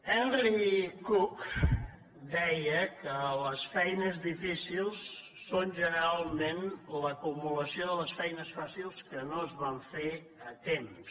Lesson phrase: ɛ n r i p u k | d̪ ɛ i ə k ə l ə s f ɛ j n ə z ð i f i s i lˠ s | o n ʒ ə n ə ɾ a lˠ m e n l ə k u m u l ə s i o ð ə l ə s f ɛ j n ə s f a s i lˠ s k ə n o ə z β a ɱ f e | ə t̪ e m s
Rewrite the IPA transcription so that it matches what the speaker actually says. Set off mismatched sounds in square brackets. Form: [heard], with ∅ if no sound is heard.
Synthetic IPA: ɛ n r i [k] u k | d̪ ɛ [j] ə k ə l ə s f ɛ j n ə z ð i f i s i lˠ [sː] | o n ʒ ə n ə ɾ a lˠ m e n l ə k u m u l ə s i o ð ə l ə s f ɛ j n ə s f a s i lˠ s k ə n o ə z β a ɱ f e | ə t̪ e m s